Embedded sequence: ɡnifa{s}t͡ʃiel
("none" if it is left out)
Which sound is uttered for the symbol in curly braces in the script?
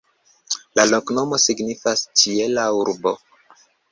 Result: s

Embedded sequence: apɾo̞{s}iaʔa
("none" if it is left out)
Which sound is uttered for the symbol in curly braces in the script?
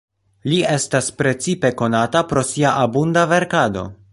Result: s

